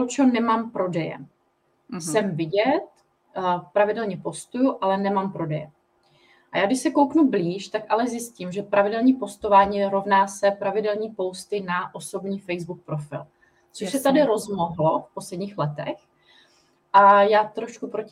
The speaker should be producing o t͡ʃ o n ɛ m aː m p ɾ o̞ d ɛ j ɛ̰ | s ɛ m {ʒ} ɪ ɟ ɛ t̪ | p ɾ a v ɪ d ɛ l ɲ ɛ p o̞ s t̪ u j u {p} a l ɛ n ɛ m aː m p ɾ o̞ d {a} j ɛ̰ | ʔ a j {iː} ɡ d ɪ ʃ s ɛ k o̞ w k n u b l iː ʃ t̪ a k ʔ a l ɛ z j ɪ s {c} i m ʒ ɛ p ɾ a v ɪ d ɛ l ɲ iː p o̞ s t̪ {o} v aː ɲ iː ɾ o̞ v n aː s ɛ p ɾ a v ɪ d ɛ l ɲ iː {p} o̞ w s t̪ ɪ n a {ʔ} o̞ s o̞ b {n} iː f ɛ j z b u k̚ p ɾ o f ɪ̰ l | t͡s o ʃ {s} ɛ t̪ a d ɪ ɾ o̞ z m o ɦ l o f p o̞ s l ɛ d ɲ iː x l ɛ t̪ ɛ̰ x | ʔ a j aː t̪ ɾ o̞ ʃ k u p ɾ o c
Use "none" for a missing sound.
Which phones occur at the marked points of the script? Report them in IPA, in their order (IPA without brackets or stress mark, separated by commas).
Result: v, ʔ, ɛ, aː, c, o, p, ʔ, ɲ, s